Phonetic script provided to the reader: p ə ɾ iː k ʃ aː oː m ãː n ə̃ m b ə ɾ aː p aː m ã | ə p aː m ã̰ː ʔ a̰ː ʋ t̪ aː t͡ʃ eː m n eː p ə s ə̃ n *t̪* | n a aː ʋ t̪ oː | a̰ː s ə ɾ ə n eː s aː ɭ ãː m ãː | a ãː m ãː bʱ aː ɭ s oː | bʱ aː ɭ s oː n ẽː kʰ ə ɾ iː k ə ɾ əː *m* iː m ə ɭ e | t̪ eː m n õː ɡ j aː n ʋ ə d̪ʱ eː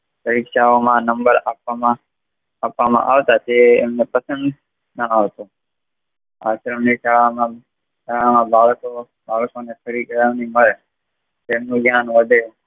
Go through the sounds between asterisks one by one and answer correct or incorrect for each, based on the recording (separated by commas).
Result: incorrect, incorrect